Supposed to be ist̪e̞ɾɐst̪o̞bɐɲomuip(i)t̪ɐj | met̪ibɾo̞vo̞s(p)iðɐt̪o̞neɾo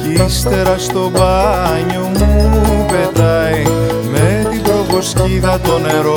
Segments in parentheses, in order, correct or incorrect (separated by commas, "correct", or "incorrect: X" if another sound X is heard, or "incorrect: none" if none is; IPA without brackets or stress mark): incorrect: e, incorrect: c